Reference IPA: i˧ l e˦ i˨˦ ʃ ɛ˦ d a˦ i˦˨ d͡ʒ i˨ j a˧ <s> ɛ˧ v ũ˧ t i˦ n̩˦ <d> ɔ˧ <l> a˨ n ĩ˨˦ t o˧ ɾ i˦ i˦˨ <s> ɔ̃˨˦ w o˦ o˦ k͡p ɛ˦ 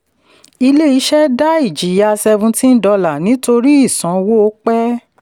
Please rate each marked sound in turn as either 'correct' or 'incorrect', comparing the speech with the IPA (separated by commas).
correct, correct, correct, correct